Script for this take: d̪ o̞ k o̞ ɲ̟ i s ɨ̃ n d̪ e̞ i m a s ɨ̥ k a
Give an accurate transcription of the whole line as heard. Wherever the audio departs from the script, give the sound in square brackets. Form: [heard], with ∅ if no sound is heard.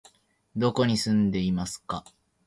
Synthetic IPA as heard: d̪ o̞ k o̞ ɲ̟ i s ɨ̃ n d̪ e̞ i m a s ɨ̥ k a

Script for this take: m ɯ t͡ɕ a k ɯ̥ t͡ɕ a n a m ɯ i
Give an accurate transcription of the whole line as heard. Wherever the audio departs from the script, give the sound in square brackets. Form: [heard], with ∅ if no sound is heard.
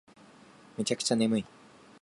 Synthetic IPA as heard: m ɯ t͡ɕ a k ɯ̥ t͡ɕ a n [e] m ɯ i

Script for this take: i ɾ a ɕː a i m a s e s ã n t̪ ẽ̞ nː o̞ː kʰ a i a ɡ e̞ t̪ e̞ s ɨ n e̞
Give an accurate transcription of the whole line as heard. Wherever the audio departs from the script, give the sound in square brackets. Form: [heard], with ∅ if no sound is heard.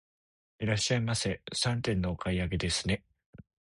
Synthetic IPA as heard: i ɾ a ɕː a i m a s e s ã n t̪ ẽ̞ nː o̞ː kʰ a i a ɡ e̞ [d̪] e̞ s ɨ n e̞

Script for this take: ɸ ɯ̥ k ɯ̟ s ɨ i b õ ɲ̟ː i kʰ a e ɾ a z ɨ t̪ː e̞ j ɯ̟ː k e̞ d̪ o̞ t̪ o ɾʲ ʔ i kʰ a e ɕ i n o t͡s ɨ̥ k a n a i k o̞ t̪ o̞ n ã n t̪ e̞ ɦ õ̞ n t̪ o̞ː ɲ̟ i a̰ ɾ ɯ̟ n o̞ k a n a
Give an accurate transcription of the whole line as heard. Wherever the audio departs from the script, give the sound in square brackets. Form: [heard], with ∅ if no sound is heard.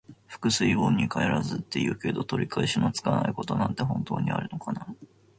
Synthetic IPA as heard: ɸ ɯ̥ k ɯ̟ s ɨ i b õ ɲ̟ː i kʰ a e ɾ a z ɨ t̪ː e̞ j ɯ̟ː k e̞ d̪ o̞ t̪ o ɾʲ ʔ i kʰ a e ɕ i n o t͡s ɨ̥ k a n a i k o̞ t̪ o̞ n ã n t̪ e̞ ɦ õ̞ n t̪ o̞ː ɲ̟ i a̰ ɾ ɯ̟ n o̞ k a n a

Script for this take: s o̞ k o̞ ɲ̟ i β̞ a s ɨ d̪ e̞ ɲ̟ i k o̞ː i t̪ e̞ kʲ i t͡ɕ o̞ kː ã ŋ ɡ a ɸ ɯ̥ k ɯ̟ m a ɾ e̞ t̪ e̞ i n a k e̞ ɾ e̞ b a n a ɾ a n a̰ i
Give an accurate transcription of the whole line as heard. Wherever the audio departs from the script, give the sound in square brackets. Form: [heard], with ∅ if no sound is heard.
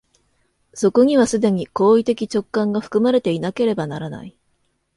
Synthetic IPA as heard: s o̞ k o̞ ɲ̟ i β̞ a s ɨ d̪ e̞ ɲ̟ i k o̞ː i t̪ e̞ kʲ i t͡ɕ o̞ kː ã ŋ ɡ a ɸ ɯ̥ k ɯ̟ m a ɾ e̞ t̪ e̞ i n a k e̞ ɾ e̞ b a n a ɾ a n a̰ i

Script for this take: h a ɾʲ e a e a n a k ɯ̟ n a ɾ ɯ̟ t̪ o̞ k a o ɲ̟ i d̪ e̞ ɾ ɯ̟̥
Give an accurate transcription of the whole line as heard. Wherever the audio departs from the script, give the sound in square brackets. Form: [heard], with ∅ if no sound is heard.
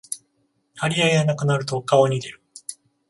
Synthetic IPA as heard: h a ɾʲ [i] a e a n a k ɯ̟ n a ɾ ɯ̟ t̪ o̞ k a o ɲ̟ i d̪ e̞ ɾ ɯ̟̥

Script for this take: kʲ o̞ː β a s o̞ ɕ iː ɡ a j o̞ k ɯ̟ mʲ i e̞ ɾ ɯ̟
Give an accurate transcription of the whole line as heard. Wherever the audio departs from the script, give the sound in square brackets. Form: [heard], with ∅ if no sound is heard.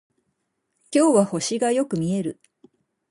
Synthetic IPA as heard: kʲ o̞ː β a [h] o̞ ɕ [i] ɡ a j o̞ k ɯ̟ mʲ i e̞ ɾ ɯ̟

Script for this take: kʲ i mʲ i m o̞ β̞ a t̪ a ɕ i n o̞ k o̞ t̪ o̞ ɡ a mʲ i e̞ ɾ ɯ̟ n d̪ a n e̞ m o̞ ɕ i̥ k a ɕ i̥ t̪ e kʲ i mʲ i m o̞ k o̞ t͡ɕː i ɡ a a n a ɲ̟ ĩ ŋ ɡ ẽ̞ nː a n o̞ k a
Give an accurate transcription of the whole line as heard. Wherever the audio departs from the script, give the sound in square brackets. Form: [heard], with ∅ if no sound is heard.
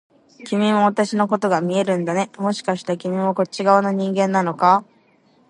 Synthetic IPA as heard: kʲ i mʲ i m o̞ β̞ a t̪ a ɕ i n o̞ k o̞ t̪ o̞ ɡ a mʲ i e̞ ɾ [ɯ̟̃] n d̪ a n e̞ m o̞ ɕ i̥ k a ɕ i̥ t̪ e kʲ i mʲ i m o̞ k o̞ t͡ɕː i ɡ a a n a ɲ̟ ĩ ŋ ɡ ẽ̞ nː a n o̞ k a

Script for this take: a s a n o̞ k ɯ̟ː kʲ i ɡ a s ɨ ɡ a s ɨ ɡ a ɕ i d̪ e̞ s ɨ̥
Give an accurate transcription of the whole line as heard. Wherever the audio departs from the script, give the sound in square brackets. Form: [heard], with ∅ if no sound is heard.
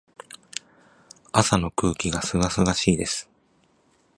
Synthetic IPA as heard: a s a n o̞ k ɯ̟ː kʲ i ɡ a s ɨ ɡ a s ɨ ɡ a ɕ [iː] d̪ e̞ s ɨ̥

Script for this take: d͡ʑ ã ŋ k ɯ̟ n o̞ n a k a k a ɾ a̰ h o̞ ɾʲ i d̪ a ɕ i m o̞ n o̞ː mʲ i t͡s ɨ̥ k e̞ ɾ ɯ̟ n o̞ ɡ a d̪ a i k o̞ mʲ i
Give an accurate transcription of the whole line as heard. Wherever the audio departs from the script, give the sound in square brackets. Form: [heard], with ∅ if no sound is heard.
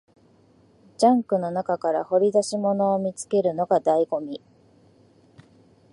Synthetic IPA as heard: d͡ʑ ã ŋ k ɯ̟ n o̞ n a k a k a ɾ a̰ h o̞ ɾʲ i d̪ a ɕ i m o̞ n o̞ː mʲ i t͡s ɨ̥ k e̞ ɾ ɯ̟ n o̞ ɡ a d̪ a i [ɡ] o̞ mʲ i

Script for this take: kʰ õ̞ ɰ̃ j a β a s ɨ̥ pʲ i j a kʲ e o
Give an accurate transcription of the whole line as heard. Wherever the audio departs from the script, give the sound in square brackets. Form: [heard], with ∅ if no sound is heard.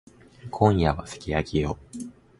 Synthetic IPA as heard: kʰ õ̞ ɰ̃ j a β a s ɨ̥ [kʲ] i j a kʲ [i] o

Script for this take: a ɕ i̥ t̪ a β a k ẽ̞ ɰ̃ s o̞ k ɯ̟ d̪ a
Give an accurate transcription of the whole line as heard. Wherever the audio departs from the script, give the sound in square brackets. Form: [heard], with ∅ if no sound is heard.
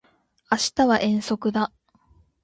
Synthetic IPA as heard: a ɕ i̥ t̪ a β a [ʔ] ẽ̞ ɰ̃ s o̞ k ɯ̟ d̪ a

